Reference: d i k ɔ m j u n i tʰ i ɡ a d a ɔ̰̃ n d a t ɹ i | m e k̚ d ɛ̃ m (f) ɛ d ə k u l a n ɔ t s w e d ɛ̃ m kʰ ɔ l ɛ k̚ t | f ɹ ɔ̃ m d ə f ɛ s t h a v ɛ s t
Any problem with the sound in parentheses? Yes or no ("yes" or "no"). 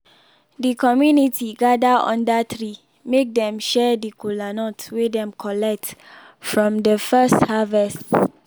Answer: yes